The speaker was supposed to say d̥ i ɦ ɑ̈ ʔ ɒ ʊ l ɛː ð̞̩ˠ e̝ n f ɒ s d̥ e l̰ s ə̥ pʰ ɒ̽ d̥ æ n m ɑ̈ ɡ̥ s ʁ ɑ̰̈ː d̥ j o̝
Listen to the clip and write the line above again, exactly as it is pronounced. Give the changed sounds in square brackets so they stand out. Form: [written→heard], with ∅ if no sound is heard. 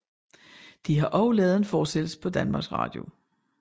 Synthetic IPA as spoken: d̥ i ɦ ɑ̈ ʔ ɒ ʊ l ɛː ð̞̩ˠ e̝ n f [ɒ→ɒː] s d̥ e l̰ s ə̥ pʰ ɒ̽ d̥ æ n m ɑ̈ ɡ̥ s ʁ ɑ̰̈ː d̥ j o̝

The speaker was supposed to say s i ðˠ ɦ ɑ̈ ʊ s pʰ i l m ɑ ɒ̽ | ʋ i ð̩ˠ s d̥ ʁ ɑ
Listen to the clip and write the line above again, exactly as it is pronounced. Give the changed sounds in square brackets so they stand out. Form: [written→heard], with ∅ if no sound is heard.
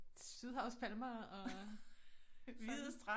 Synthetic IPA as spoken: s [i→y] ðˠ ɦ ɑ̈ ʊ s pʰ [i→æ] l m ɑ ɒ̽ | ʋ i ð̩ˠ s d̥ ʁ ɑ

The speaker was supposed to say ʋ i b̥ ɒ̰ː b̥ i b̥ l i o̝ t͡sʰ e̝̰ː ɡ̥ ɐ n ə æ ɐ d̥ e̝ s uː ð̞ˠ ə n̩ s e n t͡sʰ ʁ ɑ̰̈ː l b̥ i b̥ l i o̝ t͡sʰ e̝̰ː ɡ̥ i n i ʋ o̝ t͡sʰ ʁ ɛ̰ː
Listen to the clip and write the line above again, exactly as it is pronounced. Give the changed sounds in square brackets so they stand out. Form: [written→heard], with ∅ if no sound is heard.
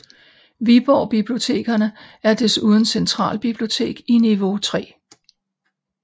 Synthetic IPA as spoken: ʋ i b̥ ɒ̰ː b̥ i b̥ l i o̝ t͡sʰ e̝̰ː ɡ̥ ɐ n ə æ ɐ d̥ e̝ s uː ð̞ˠ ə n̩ s e n t͡sʰ ʁ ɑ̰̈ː l b̥ i b̥ l i o̝ t͡sʰ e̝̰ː ɡ̥ i n i ʋ o̝ t͡sʰ ʁ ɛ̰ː

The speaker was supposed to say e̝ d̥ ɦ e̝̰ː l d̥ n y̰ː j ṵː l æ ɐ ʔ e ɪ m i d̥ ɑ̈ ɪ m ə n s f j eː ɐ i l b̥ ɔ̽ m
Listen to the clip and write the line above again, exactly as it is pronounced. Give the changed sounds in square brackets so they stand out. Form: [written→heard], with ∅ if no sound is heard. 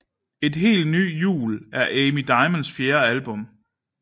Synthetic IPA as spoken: e̝ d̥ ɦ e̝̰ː l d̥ n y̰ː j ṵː l æ ɐ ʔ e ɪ m i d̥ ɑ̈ ɪ m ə n s f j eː ɐ [i→æ] l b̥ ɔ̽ m

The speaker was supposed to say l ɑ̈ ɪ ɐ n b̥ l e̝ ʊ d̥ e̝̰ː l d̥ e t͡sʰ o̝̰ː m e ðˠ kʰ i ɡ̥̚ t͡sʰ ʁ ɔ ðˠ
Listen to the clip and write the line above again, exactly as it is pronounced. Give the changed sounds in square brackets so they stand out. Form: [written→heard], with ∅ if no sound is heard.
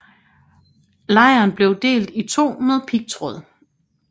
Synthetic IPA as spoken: l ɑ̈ ɪ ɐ n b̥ l e̝ ʊ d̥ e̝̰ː l d̥ [e→i] t͡sʰ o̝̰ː m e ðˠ [kʰ→pʰ] i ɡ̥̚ t͡sʰ ʁ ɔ ðˠ

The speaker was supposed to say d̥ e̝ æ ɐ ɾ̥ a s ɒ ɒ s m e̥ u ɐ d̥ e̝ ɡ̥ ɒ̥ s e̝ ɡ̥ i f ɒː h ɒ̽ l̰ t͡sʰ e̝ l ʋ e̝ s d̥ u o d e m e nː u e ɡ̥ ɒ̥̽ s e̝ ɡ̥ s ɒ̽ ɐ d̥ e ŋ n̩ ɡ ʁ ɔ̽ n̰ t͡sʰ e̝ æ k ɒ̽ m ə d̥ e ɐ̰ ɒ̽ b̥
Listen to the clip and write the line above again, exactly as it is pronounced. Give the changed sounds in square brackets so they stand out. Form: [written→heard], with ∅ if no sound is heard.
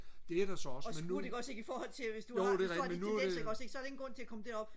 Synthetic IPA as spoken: d̥ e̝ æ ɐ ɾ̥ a s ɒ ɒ s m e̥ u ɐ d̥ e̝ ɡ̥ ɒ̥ s e̝ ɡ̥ i f ɒː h ɒ̽ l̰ t͡sʰ e̝ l ʋ e̝ s d̥ u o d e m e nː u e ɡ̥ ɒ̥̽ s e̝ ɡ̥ s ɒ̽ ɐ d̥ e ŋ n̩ ɡ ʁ ɔ̽ n̰ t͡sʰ e̝ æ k ɒ̽ m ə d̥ e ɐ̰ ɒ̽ b̥

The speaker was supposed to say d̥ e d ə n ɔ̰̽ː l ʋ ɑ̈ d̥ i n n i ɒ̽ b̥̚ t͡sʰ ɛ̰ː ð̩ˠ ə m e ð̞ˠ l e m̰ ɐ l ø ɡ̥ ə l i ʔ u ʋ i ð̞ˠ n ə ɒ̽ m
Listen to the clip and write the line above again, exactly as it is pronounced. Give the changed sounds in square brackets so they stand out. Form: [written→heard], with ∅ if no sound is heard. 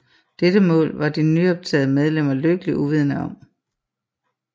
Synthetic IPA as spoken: d̥ e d ə [n→m] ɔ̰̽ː l ʋ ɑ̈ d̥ i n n [i→y] ɒ̽ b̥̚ t͡sʰ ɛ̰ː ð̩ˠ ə m e ð̞ˠ l e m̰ ɐ l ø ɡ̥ ə l i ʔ u ʋ i ð̞ˠ n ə ɒ̽ m

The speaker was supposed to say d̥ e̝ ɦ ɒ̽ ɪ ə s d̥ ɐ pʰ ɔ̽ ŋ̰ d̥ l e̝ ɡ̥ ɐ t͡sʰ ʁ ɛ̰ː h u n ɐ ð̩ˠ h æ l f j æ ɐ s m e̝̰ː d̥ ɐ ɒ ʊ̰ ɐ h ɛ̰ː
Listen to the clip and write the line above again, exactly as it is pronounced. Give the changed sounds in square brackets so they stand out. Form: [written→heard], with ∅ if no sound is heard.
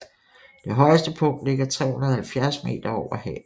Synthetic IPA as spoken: d̥ e̝ ɦ ɒ̽ ɪ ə s d̥ [ɐ→ə] pʰ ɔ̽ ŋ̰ d̥ l e̝ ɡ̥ ɐ t͡sʰ ʁ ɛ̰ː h u n ɐ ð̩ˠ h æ l f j æ ɐ s m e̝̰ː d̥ ɐ ɒ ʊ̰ ɐ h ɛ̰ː

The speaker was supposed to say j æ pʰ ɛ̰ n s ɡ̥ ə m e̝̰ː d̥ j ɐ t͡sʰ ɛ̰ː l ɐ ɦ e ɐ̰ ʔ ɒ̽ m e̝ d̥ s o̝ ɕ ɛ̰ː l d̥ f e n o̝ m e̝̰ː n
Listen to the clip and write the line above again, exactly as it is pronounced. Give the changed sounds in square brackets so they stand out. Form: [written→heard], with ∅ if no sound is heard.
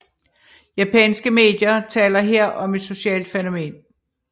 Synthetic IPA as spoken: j æ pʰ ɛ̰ n s ɡ̥ ə m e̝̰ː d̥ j ɐ t͡sʰ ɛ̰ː l ɐ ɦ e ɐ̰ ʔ ɒ̽ m e̝ d̥ s o̝ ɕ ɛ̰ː l d̥ f e n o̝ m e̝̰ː n

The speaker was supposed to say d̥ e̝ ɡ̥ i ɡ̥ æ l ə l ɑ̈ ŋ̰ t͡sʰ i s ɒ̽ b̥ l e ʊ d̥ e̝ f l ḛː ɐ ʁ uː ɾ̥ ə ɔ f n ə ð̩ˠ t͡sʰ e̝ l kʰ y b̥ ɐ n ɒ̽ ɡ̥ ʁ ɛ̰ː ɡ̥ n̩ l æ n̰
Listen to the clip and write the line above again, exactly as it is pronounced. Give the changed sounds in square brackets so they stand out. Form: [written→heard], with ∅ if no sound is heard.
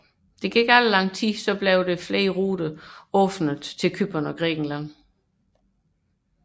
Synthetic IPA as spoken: d̥ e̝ ɡ̥ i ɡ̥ æ l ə l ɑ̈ ŋ̰ t͡sʰ i s ɒ̽ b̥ l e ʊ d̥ e̝ f l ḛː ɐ ʁ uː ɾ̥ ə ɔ f n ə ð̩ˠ t͡sʰ e̝ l kʰ y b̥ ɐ n ɒ̽ ɡ̥ ʁ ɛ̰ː ɡ̥ n̩ l æ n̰

